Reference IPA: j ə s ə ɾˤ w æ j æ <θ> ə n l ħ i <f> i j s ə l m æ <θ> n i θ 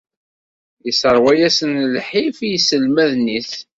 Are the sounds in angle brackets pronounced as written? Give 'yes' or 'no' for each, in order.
no, yes, no

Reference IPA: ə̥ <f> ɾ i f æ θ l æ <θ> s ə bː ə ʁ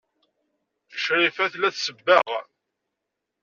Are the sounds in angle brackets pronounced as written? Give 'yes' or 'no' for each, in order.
no, yes

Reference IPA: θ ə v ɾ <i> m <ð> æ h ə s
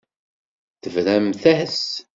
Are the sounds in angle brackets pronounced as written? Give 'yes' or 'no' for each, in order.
no, no

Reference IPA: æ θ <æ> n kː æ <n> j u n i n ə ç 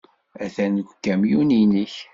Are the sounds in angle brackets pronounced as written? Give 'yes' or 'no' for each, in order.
yes, no

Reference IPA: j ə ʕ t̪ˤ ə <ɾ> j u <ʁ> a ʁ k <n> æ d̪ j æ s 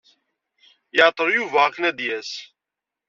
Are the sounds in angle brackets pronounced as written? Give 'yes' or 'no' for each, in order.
yes, no, yes

